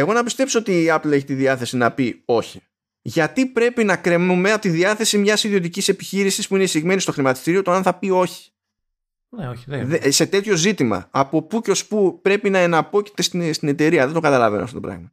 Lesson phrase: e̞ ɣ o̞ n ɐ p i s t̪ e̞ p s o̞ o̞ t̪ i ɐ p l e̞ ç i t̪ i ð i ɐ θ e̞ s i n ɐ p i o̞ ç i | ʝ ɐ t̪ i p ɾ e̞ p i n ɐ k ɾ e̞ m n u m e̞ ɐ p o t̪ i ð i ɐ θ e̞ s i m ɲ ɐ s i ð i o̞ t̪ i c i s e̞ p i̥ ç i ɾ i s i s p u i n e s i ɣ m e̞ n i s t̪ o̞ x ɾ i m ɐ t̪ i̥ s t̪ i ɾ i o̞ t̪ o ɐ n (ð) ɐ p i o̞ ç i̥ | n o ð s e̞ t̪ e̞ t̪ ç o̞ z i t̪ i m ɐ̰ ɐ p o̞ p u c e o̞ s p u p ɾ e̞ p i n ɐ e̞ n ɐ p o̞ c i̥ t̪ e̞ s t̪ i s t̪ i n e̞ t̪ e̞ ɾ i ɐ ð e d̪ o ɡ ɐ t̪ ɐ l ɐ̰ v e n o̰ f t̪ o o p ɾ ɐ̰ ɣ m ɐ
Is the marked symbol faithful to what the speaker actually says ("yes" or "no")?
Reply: no